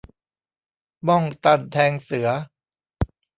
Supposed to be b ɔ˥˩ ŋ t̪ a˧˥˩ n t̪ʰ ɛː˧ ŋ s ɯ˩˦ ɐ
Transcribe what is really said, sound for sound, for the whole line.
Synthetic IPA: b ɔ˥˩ ŋ t̪ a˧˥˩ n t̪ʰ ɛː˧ ŋ s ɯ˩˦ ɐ

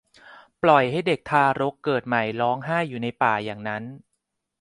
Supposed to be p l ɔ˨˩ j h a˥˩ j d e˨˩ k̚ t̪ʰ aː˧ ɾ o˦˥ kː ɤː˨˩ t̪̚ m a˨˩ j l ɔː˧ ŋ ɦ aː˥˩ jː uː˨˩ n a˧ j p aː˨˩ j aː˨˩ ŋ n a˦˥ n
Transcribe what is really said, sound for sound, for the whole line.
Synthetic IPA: p l ɔ˨˩ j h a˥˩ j d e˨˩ k̚ t̪ʰ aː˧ ɾ o˦˥ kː ɤː˨˩ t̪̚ m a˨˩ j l ɔː˦˥ ŋ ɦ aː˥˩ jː uː˨˩ n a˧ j p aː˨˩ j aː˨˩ ŋ n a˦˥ n

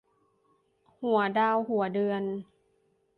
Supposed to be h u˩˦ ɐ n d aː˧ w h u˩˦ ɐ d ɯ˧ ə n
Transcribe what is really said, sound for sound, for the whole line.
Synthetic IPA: h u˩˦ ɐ d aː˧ w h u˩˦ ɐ d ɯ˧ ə n

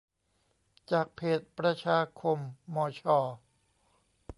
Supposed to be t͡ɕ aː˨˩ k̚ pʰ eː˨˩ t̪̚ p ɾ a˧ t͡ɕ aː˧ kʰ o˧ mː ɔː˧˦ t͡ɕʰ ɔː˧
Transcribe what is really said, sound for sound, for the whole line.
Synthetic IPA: t͡ɕ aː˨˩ k̚ pʰ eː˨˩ t̪̚ p ɾ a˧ t͡ɕʰ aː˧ kʰ o˧ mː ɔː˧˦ t͡ɕʰ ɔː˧

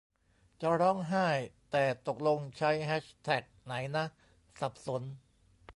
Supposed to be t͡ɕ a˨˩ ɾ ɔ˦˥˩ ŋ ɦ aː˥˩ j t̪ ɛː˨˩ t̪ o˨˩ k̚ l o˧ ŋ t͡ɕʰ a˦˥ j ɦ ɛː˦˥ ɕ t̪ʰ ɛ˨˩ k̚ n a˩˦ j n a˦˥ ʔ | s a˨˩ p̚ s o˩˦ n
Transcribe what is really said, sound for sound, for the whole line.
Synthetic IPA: t͡ɕ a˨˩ ɾ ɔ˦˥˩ ŋ ɦ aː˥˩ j t̪ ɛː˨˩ t̪ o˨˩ k̚ l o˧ ŋ t͡ɕʰ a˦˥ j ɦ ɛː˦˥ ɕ t̪ʰ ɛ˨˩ k̚ n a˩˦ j n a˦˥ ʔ | s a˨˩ p̚ s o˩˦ n

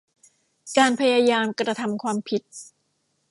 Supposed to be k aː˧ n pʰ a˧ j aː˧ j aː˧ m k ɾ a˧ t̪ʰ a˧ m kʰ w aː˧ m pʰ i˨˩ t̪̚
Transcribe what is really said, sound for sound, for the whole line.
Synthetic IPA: k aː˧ n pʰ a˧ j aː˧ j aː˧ m k ɾ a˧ t̪ʰ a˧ m kʰ w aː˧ m pʰ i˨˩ t̪̚

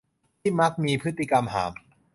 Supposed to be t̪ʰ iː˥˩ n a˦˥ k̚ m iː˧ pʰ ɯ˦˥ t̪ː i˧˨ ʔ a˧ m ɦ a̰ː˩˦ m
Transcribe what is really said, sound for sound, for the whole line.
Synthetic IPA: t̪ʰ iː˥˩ m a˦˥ k̚ m iː˧ pʰ ɯ˦˥ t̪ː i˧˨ k a˧ m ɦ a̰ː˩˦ m

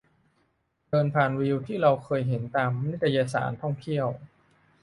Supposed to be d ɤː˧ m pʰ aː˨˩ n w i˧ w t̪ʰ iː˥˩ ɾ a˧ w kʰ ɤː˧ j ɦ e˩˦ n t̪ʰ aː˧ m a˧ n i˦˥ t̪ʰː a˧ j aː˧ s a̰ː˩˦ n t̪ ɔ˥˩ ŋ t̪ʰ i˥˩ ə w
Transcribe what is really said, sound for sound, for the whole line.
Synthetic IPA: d ɤː˧ n pʰ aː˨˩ n w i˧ w t̪ʰ iː˥˩ ɾ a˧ w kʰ ɤː˧ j ɦ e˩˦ n t̪ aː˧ m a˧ n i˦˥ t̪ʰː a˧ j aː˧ s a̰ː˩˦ n t̪ʰ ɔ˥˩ ŋ t̪ʰ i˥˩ ə w

